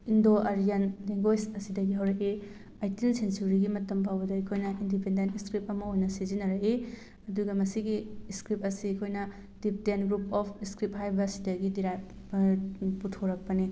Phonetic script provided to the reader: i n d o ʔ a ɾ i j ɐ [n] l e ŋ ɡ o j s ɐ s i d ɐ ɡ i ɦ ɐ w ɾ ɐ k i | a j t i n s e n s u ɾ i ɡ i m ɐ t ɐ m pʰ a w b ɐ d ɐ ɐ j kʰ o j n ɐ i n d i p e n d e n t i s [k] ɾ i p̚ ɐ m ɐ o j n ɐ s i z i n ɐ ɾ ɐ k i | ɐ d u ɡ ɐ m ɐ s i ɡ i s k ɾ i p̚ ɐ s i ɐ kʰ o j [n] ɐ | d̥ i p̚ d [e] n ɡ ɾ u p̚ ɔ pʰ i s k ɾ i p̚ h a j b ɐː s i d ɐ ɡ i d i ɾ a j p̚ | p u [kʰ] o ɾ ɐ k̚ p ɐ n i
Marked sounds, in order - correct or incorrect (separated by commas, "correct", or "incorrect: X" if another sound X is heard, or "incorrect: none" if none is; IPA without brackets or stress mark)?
correct, correct, correct, correct, incorrect: tʰ